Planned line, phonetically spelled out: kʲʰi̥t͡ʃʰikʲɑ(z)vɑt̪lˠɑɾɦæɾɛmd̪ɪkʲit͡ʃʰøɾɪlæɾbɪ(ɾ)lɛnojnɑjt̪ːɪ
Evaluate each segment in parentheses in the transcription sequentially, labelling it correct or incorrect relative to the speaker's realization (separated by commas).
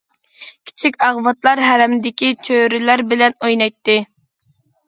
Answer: incorrect, incorrect